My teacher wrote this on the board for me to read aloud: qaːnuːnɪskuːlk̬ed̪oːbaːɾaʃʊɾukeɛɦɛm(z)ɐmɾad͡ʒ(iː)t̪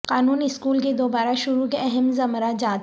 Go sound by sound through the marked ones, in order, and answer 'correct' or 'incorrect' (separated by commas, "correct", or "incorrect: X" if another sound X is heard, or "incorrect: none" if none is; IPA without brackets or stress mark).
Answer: correct, incorrect: aː